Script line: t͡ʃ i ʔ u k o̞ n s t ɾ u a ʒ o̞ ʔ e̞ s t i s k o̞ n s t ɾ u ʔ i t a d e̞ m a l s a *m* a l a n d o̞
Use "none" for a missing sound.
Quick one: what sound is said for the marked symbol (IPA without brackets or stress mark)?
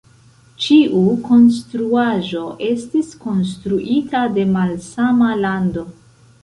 m